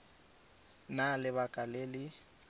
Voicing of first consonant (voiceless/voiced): voiced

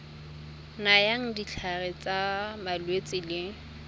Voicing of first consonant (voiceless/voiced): voiced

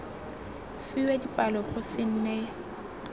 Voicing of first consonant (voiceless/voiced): voiceless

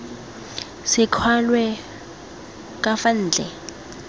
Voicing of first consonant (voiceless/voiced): voiceless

